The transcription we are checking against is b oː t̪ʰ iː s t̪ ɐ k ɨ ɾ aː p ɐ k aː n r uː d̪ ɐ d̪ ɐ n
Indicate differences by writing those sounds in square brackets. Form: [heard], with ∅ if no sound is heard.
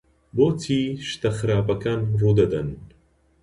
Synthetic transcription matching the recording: b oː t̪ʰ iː [ʃ] t̪ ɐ [x] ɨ ɾ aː p ɐ k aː n r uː d̪ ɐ d̪ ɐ n

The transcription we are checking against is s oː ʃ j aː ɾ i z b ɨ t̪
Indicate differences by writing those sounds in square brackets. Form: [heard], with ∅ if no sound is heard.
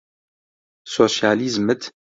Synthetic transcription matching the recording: s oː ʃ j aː [l] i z [m] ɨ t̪

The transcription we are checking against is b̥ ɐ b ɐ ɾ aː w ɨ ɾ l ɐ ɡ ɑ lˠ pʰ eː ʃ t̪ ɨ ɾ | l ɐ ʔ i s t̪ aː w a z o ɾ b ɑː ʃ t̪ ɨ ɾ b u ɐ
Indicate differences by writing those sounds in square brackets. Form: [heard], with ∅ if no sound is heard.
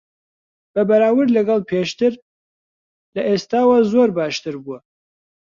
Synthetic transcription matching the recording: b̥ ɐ b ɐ ɾ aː w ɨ ɾ l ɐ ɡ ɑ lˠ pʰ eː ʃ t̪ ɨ ɾ | l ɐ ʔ [e] s t̪ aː w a z o ɾ b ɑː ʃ t̪ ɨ ɾ b u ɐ

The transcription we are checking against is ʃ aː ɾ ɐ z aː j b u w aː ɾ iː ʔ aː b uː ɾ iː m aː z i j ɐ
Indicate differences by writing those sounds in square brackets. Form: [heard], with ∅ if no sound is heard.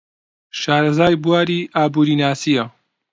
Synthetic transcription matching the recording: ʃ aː ɾ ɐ z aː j b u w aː ɾ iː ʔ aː b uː ɾ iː [n] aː [s] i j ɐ

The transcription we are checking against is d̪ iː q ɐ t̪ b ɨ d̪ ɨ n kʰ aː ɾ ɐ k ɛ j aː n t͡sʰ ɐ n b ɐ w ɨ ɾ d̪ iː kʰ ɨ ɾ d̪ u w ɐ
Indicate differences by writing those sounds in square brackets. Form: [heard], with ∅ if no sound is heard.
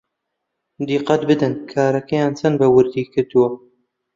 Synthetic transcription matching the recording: d̪ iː q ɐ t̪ b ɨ d̪ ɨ n kʰ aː ɾ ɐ k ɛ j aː n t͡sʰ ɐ n b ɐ w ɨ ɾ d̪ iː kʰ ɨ ɾ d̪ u w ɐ

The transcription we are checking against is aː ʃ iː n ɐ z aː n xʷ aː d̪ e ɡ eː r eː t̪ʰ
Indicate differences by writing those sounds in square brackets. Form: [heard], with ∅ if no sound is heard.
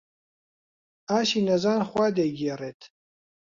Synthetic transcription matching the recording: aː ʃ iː n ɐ z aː n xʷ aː d̪ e ɡ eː r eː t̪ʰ

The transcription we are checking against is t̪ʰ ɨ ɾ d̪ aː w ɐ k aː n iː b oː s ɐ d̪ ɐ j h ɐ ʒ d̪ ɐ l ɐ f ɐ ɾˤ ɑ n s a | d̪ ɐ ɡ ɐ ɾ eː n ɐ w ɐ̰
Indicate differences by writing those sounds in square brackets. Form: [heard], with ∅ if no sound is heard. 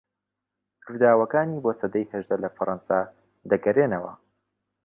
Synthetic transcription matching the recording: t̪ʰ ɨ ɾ d̪ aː w ɐ k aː n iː b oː s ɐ d̪ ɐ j h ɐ ʒ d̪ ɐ l ɐ f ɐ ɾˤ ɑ n s a | d̪ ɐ ɡ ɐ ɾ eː n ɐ w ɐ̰

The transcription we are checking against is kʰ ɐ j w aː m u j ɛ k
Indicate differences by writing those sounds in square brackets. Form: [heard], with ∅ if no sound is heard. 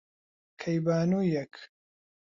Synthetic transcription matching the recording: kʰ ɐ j [b] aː [n] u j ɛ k

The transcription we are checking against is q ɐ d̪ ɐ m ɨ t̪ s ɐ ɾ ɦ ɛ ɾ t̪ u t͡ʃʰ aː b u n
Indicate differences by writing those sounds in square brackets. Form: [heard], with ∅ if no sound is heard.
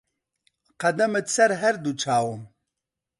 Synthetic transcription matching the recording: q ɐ d̪ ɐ m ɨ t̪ s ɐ ɾ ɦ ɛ ɾ [d̪] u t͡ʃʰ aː [w] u [m]

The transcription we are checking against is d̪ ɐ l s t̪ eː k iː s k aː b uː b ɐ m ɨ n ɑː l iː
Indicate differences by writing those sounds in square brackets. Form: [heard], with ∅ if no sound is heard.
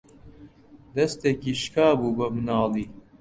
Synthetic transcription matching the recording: d̪ ɐ [∅] s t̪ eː k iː [ʃ] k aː b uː b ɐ m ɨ n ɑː l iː

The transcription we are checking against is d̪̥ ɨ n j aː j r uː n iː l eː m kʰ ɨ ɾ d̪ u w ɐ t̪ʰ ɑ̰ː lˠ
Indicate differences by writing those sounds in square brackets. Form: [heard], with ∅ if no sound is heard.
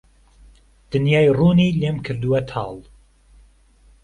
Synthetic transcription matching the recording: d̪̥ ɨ n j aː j r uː n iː l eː m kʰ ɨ ɾ d̪ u w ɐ t̪ʰ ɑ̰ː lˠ

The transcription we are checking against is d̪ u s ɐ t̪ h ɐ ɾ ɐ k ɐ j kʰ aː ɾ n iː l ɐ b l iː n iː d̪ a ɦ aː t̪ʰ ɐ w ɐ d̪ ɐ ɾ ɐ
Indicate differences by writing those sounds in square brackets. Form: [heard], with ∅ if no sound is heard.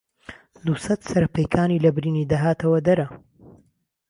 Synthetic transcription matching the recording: d̪ u s ɐ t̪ [s] ɐ ɾ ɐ [p] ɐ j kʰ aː [∅] n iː l ɐ b [ɾ] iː n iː d̪ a ɦ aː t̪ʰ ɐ w ɐ d̪ ɐ ɾ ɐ

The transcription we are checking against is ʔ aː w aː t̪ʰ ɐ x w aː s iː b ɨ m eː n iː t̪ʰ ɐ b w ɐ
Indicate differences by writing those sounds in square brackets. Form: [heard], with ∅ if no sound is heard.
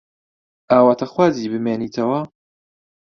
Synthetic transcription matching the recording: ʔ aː w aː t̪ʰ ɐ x w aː [z] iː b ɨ m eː n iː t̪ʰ ɐ [∅] w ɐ

